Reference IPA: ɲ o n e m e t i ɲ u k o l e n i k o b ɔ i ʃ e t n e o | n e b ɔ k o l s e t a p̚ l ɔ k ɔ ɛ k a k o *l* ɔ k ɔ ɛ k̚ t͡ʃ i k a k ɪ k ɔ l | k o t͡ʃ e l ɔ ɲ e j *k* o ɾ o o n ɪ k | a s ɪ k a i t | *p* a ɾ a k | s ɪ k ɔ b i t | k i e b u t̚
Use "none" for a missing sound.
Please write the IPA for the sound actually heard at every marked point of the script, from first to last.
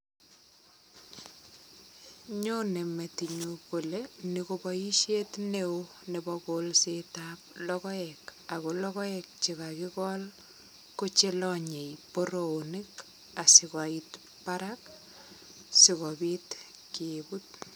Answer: l, p, p

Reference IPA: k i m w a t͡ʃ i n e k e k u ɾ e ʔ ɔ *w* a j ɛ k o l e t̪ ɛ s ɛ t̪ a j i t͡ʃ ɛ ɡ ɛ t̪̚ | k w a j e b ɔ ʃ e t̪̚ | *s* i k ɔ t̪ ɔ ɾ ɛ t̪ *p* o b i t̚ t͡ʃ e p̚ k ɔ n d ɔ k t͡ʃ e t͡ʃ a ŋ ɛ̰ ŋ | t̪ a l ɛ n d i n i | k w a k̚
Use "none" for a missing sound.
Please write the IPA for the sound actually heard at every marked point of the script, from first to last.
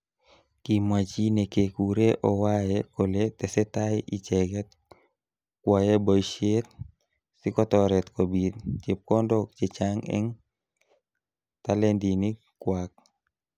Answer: w, s, k

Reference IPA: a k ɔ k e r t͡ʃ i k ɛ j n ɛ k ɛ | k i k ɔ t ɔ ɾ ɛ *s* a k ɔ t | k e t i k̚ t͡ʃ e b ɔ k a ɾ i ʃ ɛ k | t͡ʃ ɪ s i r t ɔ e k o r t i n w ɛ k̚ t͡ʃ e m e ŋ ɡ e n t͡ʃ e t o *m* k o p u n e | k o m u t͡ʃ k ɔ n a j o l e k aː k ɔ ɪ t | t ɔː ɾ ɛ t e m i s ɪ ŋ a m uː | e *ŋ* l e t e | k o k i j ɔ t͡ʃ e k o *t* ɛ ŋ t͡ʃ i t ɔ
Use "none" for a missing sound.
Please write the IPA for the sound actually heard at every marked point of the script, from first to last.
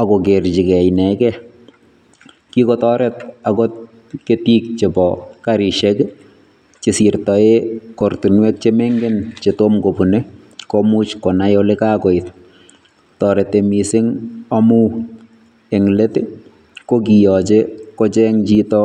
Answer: t, m, ŋ, t͡ʃ

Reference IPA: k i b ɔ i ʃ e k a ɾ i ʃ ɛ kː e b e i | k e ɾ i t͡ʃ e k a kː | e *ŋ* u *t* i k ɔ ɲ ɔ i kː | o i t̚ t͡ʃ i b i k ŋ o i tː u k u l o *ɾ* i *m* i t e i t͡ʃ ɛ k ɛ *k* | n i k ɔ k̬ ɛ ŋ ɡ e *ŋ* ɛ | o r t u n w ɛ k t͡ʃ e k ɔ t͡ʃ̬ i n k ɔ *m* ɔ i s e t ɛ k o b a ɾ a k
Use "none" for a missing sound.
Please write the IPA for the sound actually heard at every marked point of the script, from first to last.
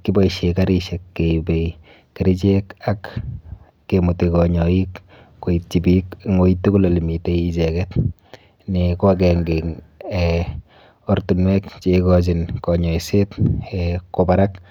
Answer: m, t, l, m, t, ŋ, ɲ

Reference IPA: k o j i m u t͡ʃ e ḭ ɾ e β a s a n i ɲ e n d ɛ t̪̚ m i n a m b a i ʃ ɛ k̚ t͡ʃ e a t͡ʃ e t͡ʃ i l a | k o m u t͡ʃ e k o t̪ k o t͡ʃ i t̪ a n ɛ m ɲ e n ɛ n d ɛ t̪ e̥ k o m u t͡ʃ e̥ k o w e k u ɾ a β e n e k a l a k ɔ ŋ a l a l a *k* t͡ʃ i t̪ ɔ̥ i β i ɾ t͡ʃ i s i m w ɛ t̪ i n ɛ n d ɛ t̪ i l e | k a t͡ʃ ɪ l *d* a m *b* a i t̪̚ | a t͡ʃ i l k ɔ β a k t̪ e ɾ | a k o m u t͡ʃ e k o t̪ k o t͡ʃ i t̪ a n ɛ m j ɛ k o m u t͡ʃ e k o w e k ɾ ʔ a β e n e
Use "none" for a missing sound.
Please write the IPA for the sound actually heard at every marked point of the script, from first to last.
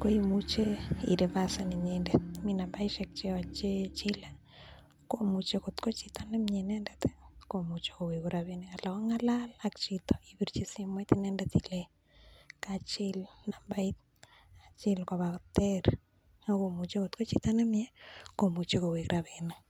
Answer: k, n, b

